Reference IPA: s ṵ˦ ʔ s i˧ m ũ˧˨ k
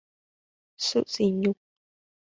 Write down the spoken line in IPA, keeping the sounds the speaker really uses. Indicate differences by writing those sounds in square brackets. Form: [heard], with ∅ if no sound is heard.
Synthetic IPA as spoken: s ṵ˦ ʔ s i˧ [ɲ] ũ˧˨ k